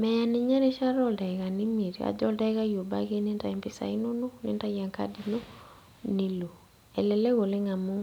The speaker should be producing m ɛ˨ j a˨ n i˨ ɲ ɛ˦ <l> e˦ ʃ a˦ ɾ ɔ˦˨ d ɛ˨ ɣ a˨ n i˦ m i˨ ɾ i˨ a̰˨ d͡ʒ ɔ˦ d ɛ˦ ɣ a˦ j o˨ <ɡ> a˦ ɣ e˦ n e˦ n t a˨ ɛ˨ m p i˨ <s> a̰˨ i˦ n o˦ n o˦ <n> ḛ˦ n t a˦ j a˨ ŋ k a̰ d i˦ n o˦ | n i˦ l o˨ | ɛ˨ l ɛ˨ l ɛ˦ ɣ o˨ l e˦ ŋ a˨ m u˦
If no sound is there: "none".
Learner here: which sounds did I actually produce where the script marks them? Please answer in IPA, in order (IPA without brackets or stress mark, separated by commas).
ɾ, b, s, n